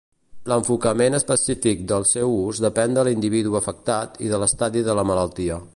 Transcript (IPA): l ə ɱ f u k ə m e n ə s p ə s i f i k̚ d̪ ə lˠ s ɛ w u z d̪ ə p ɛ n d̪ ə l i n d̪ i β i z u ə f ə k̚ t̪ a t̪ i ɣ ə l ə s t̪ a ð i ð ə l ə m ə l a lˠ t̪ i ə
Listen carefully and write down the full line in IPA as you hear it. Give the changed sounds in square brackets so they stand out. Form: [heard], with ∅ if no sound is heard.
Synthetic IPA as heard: l ə ɱ f u k ə m e n ə s p ə s i f i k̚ d̪ ə lˠ s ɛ w u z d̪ ə p ɛ n d̪ ə l i n d̪ i β i [ð] u ə f ə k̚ t̪ a t̪ i [ð] ə l ə s t̪ a ð i ð ə l ə m ə l [ə] lˠ t̪ i ə